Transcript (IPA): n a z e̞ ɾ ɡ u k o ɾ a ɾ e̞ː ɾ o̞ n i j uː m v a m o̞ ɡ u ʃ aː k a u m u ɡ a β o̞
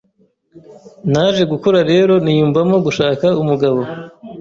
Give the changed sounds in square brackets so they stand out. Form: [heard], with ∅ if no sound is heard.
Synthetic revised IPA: n a [ʒ] e̞ [∅] ɡ u k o ɾ a ɾ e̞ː ɾ o̞ n i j uː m v a m o̞ ɡ u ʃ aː k a u m u ɡ a β o̞